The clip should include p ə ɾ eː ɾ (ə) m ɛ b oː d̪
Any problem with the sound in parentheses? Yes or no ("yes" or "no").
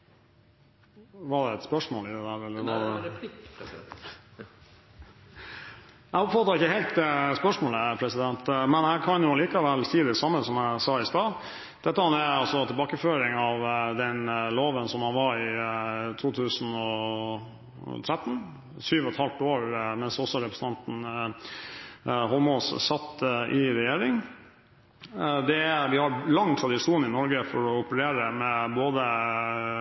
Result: no